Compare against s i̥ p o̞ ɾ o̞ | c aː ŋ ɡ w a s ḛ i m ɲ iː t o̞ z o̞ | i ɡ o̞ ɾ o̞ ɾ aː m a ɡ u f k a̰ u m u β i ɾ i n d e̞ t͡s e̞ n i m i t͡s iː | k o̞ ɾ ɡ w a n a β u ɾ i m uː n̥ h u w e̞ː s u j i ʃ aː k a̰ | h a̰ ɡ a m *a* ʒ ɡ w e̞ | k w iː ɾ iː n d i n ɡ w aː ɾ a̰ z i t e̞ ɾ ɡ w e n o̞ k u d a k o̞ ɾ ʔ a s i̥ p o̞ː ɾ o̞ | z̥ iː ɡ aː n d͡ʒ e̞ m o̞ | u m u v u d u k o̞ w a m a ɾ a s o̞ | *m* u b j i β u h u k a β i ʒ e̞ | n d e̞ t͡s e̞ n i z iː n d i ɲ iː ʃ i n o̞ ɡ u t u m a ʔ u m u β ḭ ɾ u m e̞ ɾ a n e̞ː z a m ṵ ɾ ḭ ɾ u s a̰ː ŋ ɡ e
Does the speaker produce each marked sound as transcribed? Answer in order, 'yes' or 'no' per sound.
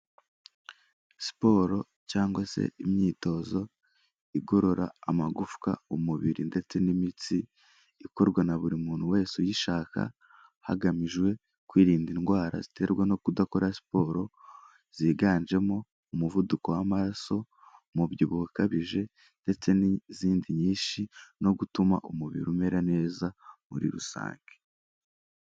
no, yes

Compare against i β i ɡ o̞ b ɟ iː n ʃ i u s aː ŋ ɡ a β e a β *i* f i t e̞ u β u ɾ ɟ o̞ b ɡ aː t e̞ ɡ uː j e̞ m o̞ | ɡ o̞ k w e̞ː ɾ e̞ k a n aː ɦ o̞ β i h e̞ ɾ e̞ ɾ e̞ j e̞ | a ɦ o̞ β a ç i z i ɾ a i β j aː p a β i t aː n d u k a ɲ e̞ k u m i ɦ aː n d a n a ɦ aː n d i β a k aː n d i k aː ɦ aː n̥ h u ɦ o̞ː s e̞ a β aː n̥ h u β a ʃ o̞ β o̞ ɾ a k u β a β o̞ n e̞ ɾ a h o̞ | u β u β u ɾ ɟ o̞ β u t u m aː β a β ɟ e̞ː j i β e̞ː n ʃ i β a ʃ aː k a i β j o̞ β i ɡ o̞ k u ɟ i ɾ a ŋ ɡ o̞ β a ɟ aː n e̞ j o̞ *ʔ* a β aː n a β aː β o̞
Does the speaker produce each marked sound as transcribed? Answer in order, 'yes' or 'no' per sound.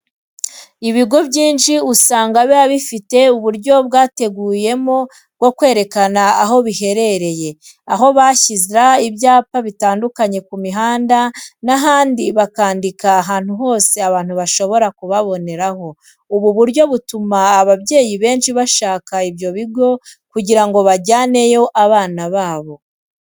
yes, yes

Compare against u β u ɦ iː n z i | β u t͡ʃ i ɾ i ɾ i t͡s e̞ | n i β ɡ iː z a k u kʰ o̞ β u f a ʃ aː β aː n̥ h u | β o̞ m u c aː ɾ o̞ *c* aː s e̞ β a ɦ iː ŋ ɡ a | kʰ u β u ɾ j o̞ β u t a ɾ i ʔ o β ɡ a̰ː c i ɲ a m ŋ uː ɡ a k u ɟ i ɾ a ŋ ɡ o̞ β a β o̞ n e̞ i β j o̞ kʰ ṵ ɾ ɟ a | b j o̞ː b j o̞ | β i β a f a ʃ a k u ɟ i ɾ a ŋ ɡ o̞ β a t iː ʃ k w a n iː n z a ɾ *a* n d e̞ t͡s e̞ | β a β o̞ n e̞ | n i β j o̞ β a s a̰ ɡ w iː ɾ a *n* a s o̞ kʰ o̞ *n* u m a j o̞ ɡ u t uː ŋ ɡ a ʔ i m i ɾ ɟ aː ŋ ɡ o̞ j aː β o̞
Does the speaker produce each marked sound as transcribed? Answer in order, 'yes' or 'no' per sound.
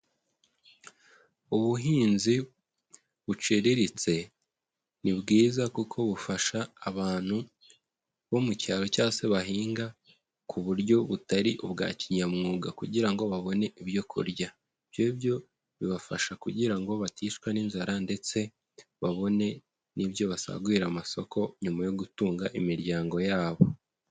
yes, yes, no, no

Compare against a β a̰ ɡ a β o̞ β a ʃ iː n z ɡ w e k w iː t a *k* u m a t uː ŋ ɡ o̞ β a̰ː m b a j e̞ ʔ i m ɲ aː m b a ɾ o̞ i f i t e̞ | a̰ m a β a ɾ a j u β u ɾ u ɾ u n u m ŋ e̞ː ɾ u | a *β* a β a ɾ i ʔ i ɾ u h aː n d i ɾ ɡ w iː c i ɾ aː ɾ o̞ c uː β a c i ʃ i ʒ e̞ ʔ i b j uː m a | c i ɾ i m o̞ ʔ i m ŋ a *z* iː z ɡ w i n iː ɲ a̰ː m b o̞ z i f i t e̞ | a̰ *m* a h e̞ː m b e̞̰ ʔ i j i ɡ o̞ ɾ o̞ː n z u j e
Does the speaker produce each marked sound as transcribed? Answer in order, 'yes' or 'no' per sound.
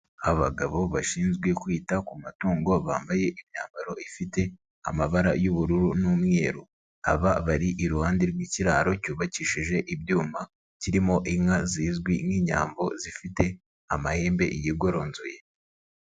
yes, yes, yes, yes

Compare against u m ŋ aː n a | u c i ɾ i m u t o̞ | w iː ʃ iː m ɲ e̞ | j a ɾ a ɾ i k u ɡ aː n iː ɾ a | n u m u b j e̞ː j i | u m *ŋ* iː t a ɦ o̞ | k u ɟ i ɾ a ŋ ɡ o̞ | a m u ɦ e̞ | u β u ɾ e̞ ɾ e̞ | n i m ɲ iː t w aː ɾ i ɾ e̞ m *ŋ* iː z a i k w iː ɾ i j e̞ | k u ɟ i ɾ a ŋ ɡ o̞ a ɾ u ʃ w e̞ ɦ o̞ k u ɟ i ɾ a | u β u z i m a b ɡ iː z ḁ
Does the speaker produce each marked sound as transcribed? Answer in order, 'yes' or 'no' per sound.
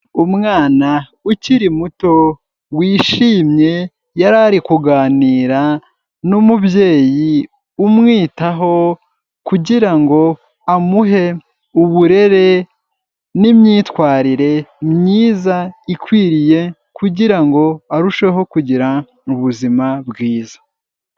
yes, no

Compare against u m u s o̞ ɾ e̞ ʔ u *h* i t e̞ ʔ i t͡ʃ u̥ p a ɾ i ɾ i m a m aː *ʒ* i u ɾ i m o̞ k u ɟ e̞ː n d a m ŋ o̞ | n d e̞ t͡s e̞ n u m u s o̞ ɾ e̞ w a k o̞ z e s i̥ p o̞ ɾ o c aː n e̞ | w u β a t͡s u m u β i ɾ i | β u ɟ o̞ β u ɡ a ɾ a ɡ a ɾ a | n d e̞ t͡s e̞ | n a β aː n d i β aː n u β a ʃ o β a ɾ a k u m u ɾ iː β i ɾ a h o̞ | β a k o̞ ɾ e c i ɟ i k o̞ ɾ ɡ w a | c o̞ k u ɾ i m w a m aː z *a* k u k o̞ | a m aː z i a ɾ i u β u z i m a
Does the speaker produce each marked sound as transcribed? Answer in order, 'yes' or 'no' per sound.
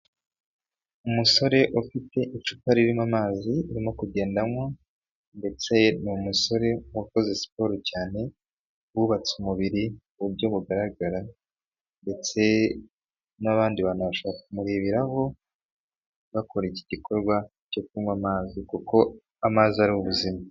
no, no, no

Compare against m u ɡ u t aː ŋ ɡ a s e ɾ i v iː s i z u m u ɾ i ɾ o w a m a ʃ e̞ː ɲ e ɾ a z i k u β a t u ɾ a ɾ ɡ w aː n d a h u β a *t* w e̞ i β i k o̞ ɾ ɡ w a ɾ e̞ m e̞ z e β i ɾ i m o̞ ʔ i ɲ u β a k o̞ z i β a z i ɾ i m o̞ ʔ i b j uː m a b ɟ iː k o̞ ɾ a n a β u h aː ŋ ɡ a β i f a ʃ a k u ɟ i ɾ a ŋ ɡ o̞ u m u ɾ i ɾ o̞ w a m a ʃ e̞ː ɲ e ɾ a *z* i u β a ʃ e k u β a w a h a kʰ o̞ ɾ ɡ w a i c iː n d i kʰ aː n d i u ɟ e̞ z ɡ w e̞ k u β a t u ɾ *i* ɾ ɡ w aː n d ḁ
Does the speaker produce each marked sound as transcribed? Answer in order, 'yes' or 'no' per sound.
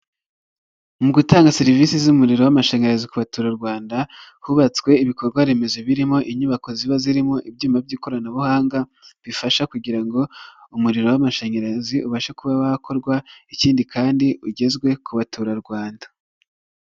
no, yes, no

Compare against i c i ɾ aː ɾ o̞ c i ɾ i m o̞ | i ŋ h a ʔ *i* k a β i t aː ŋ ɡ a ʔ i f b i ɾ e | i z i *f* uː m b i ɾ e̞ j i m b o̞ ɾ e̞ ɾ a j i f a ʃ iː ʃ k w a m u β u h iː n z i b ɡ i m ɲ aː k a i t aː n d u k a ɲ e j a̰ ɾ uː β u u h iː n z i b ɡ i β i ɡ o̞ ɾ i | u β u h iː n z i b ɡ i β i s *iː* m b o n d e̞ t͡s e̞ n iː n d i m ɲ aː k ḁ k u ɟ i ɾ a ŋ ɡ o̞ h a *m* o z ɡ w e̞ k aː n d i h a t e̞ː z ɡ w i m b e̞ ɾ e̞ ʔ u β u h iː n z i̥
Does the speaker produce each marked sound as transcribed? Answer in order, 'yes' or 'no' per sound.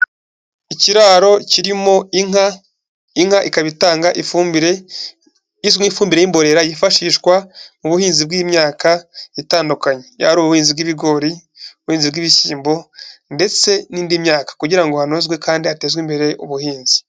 yes, yes, yes, no

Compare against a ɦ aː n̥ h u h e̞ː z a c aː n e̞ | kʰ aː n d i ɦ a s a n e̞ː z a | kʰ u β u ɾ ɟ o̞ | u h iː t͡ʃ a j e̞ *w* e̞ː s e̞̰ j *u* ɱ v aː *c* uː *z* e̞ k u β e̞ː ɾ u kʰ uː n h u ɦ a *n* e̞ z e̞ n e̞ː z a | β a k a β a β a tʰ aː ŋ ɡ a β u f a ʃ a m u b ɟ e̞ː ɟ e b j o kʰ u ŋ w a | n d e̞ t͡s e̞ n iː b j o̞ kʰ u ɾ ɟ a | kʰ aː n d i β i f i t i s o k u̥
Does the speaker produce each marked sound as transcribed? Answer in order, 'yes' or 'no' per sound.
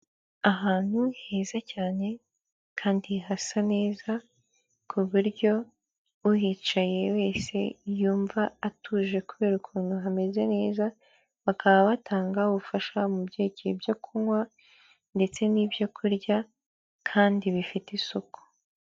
yes, no, no, no, no

